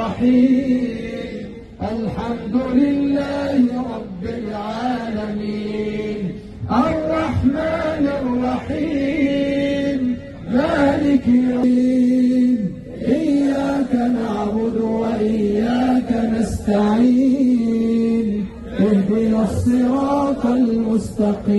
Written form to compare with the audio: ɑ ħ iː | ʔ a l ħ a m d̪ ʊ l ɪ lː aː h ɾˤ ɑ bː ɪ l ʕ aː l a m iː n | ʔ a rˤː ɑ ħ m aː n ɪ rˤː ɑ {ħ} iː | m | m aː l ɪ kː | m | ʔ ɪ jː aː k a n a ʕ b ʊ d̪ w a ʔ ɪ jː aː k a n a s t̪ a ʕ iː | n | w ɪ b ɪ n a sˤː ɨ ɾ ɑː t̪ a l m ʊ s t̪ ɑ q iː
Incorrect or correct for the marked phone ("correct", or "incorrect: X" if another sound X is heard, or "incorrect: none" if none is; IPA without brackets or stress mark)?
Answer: correct